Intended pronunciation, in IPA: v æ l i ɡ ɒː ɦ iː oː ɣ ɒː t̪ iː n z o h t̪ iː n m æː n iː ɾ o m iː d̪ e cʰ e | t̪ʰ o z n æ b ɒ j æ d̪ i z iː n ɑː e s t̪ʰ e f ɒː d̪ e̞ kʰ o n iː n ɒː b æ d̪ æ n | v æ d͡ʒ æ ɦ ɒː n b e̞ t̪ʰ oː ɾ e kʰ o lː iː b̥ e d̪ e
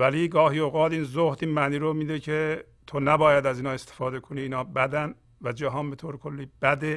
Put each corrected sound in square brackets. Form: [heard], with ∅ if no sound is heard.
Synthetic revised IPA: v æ l i ɡ ɒː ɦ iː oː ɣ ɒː t̪ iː n z o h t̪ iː n m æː n iː ɾ o m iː d̪ e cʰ e | t̪ʰ o [∅] n æ b [ɒː] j æ d̪ [æ] z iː n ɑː e s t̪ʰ e f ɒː d̪ e̞ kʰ o n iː n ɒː b æ d̪ æ n | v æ d͡ʒ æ ɦ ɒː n b e̞ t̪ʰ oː ɾ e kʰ o lː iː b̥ [æ] d̪ e